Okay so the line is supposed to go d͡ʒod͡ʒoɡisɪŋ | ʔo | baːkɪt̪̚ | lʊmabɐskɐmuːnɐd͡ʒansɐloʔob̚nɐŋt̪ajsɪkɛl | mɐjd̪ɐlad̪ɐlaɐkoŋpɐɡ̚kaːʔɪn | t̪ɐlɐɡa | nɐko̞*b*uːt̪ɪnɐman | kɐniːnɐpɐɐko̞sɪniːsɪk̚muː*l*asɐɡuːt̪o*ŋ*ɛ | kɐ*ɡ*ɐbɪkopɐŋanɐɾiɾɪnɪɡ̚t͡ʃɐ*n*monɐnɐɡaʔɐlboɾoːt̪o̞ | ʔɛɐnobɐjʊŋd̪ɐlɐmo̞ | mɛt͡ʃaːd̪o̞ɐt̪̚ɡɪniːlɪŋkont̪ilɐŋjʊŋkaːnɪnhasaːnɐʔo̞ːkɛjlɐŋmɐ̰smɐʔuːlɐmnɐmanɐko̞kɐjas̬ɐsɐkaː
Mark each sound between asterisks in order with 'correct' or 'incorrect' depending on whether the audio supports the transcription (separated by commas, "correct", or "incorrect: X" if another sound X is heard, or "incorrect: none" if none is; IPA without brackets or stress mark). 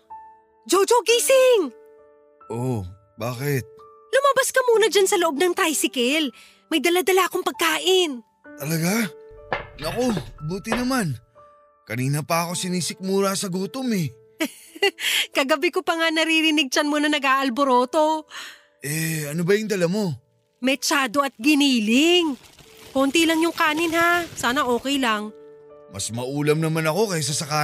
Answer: correct, incorrect: ɾ, incorrect: m, correct, correct